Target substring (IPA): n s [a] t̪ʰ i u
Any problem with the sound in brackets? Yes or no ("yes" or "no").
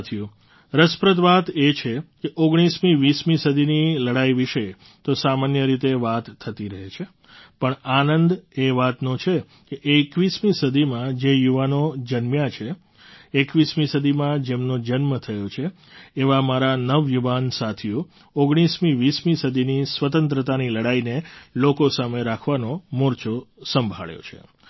no